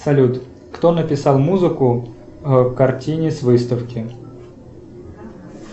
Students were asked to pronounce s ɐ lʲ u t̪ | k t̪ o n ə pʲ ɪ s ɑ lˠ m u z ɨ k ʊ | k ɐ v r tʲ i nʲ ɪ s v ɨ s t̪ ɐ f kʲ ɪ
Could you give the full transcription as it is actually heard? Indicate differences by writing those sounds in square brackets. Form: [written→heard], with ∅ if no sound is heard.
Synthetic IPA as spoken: s ɐ lʲ u t̪ | k t̪ o n ə pʲ ɪ s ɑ lˠ m u z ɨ k ʊ | k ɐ [v→∅] r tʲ i nʲ ɪ s v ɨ s t̪ [ɐ→ə] f kʲ ɪ